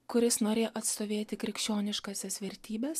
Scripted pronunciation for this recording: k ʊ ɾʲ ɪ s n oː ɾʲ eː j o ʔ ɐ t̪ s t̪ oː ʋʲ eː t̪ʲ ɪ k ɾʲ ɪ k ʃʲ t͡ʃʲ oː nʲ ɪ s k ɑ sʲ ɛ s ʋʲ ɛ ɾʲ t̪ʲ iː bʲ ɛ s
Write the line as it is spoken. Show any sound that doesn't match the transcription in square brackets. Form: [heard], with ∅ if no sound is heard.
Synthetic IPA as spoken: k ʊ ɾʲ ɪ s n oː ɾʲ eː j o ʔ ɐ t̪ s t̪ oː ʋʲ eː t̪ʲ ɪ k ɾʲ ɪ k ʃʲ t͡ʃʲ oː nʲ ɪ [ʃ] k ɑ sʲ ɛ s ʋʲ ɛ ɾʲ t̪ʲ iː bʲ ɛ s

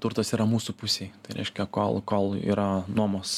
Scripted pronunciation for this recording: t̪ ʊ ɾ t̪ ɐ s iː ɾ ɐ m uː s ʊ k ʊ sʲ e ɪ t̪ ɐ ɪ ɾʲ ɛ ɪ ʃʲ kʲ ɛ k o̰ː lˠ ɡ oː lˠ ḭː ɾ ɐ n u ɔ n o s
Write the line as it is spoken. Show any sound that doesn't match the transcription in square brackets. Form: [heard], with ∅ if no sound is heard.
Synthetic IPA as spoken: t̪ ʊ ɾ t̪ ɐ s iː ɾ ɐ m uː s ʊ [p] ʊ sʲ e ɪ t̪ ɐ ɪ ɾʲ ɛ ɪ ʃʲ kʲ ɛ k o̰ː lˠ [k] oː lˠ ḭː ɾ ɐ n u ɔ [m] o s

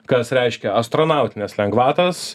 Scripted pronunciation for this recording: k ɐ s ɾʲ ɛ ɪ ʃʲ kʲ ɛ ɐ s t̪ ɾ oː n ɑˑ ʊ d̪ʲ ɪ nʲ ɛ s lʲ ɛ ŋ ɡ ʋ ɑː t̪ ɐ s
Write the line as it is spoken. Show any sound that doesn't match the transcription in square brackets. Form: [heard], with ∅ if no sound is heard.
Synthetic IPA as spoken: k ɐ s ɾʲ ɛ ɪ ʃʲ kʲ ɛ ɐ s t̪ ɾ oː n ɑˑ ʊ [t̪ʲ] ɪ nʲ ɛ s lʲ ɛ ŋ ɡ ʋ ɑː t̪ ɐ s

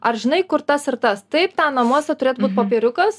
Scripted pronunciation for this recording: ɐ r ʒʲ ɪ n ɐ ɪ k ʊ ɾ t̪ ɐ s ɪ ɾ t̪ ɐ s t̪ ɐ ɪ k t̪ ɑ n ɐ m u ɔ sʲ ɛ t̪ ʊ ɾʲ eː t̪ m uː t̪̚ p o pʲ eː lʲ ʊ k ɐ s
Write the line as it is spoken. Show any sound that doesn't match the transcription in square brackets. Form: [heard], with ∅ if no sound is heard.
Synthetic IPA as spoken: ɐ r ʒʲ ɪ n ɐ ɪ k ʊ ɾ t̪ ɐ s ɪ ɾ t̪ ɐ s t̪ ɐ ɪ [p] t̪ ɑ n ɐ m u ɔ sʲ ɛ t̪ ʊ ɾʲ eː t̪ [b] uː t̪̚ p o pʲ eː [ɾʲ] ʊ k ɐ s

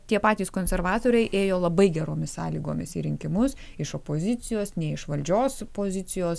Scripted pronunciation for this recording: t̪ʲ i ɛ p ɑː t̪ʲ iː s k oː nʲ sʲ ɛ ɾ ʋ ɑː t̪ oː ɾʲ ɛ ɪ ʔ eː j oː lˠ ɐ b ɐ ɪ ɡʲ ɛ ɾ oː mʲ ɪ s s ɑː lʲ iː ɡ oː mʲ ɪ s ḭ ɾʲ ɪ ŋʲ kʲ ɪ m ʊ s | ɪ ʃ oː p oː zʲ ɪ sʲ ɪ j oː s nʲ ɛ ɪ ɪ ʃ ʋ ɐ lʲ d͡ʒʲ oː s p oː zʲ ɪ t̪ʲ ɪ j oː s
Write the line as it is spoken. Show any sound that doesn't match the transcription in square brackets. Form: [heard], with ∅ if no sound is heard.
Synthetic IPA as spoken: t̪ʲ i ɛ p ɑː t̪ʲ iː s k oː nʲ sʲ ɛ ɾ ʋ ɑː t̪ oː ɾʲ ɛ ɪ ʔ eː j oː lˠ ɐ b ɐ ɪ ɡʲ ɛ ɾ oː mʲ ɪ s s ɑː lʲ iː ɡ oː mʲ ɪ s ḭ ɾʲ ɪ ŋʲ kʲ ɪ m ʊ s | ɪ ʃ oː p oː zʲ ɪ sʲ ɪ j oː s nʲ ɛ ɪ ɪ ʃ ʋ ɐ lʲ d͡ʒʲ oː s p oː zʲ ɪ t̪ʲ ɪ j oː s

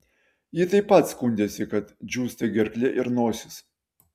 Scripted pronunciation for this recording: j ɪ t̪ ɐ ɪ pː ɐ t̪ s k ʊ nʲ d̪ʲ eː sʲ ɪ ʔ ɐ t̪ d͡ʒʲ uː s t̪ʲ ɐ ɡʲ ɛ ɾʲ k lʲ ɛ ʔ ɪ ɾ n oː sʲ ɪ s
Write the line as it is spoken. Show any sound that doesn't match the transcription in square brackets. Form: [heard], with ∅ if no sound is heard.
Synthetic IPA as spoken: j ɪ t̪ ɐ ɪ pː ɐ t̪ s k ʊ nʲ d̪ʲ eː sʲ ɪ [k] ɐ t̪ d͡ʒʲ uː s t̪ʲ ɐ ɡʲ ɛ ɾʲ k lʲ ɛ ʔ ɪ ɾ n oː sʲ ɪ s

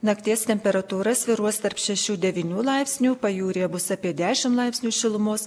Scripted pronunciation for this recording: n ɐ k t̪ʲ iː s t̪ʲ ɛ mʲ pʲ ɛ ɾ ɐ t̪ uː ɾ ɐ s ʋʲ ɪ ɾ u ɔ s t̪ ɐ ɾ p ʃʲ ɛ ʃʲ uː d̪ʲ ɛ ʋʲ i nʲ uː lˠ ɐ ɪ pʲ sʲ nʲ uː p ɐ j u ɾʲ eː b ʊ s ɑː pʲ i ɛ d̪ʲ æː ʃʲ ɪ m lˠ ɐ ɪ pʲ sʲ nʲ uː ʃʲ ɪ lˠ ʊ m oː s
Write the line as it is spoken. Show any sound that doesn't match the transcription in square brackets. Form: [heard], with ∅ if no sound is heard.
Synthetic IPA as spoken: n ɐ k t̪ʲ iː s t̪ʲ ɛ mʲ pʲ ɛ ɾ ɐ t̪ uː ɾ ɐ s ʋʲ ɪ ɾ u ɔ s t̪ ɐ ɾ p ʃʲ ɛ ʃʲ uː d̪ʲ ɛ ʋʲ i nʲ uː lˠ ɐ ɪ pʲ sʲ nʲ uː p ɐ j [uː] ɾʲ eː b ʊ s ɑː pʲ i ɛ d̪ʲ æː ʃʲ ɪ m lˠ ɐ ɪ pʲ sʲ nʲ uː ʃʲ ɪ lˠ ʊ m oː s

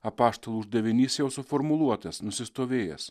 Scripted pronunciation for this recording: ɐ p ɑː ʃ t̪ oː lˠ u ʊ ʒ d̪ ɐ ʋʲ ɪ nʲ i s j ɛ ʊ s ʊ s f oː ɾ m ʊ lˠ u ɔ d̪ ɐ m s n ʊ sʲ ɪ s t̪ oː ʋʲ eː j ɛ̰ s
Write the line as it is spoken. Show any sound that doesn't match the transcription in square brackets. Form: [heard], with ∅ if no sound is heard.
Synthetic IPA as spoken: ɐ p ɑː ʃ t̪ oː lˠ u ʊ ʒ d̪ ɐ ʋʲ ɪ nʲ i s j ɛ ʊ s ʊ [∅] f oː ɾ m ʊ lˠ u ɔ [t̪] ɐ [∅] s n ʊ sʲ ɪ s t̪ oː ʋʲ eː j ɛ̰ s

